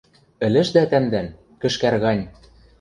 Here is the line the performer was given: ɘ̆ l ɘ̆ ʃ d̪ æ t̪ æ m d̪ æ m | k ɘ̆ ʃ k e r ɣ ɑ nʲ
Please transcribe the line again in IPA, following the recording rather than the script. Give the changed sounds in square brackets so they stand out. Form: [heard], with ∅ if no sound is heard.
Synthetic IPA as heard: ɘ̆ l ɘ̆ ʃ d̪ æ t̪ æ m d̪ æ [n] | k ɘ̆ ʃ k [æ] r ɣ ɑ nʲ